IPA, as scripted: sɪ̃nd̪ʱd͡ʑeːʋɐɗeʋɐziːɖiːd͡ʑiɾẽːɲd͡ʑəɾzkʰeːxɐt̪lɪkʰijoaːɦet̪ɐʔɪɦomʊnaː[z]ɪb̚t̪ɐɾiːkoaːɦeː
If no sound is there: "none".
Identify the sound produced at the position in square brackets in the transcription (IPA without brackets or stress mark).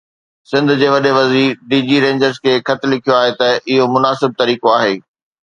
s